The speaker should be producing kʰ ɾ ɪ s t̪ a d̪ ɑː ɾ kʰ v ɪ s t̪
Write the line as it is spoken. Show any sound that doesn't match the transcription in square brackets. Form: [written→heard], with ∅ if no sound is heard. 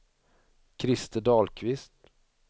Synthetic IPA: kʰ ɾ ɪ s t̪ [a→ə] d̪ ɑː [ɾ→l] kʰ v ɪ s t̪